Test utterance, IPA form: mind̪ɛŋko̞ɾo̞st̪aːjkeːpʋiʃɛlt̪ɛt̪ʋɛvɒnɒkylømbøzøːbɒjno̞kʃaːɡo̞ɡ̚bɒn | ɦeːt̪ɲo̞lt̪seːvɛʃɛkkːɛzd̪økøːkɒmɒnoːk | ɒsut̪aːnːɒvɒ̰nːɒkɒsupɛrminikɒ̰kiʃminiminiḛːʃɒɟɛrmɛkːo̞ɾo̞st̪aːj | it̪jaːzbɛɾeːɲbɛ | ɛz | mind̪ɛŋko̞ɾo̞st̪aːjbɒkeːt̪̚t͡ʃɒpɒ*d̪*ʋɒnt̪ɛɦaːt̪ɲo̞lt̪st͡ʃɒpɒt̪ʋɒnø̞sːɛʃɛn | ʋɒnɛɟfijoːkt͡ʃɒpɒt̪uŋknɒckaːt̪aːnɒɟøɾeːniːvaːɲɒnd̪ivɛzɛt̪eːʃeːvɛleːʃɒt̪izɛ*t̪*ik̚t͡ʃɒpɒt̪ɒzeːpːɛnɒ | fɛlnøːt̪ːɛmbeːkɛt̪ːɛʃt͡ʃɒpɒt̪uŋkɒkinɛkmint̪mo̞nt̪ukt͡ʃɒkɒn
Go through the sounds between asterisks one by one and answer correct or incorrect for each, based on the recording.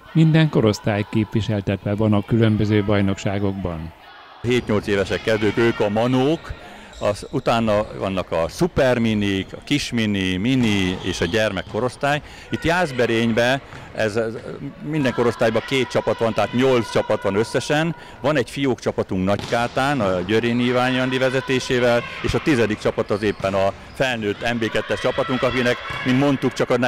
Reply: incorrect, incorrect

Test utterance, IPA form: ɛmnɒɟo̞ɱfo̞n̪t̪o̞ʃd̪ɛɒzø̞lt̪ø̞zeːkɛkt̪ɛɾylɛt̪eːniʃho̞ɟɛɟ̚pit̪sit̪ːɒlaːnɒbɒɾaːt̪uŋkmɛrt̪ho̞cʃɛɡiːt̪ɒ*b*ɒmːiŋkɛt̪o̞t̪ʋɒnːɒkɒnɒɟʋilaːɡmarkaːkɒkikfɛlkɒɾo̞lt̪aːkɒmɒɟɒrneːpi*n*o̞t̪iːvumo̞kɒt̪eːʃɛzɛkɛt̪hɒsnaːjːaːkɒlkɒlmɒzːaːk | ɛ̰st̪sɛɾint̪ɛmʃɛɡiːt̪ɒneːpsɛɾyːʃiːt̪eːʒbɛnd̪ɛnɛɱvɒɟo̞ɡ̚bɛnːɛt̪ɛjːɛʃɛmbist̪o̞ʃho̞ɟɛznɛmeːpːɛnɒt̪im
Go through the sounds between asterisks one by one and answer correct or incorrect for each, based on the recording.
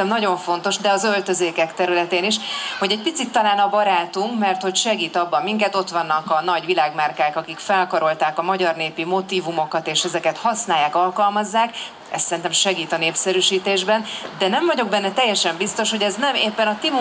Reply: incorrect, incorrect

